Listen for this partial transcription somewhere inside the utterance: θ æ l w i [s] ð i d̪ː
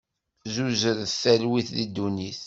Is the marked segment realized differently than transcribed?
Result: yes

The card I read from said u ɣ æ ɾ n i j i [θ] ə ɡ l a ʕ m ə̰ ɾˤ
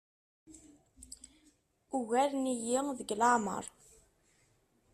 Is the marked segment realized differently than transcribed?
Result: yes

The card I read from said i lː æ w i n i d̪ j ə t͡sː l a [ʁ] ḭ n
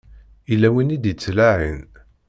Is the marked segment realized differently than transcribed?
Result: yes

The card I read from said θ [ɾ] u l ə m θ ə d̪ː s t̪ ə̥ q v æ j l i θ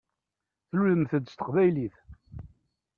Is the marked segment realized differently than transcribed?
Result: yes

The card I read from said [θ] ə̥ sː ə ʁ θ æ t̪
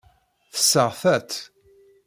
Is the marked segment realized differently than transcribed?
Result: no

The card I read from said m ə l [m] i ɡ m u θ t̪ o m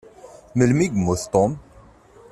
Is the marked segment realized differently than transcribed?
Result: no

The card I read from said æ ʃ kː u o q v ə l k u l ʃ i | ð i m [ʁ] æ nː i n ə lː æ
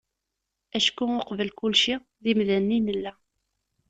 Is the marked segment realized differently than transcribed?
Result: yes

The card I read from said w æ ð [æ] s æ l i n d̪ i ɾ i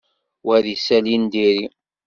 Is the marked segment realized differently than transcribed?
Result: yes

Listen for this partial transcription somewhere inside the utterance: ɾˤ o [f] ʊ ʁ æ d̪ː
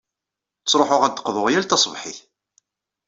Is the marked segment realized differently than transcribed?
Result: yes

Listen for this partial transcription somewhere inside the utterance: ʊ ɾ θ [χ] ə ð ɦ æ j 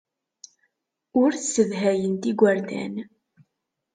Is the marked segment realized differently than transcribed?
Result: yes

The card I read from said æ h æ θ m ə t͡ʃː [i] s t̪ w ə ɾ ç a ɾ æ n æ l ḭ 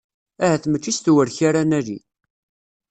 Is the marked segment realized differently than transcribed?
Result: no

